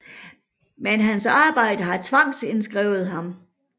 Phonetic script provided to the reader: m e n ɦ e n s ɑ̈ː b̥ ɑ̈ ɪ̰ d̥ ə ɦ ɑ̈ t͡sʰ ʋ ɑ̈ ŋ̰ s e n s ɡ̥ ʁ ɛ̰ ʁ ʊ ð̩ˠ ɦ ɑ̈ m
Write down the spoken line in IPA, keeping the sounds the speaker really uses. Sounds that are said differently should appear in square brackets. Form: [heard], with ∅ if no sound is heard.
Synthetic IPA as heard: m e n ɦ [æ] n s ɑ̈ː b̥ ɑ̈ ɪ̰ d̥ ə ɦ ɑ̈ t͡sʰ ʋ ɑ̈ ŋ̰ s e n s ɡ̥ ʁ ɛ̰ [∅] ʊ ð̩ˠ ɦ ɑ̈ m